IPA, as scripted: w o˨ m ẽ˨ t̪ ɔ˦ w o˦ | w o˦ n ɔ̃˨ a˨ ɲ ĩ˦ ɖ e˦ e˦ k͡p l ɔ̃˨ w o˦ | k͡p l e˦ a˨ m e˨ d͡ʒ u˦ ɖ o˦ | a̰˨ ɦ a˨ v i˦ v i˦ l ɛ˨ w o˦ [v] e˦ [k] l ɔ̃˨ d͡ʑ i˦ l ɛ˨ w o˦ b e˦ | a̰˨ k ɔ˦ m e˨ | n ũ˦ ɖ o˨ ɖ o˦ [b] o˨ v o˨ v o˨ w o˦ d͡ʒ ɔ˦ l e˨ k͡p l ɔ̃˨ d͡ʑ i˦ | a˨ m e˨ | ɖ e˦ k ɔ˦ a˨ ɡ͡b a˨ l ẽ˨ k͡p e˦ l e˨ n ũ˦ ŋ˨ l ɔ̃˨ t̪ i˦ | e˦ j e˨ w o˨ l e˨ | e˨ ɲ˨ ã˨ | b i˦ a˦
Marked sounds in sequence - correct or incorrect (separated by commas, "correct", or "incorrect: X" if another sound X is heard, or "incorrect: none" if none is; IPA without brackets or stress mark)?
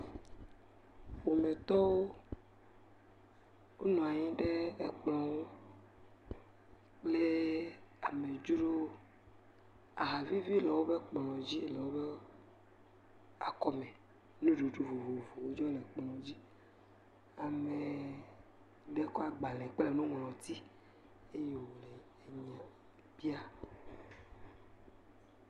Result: incorrect: b, incorrect: k͡p, incorrect: v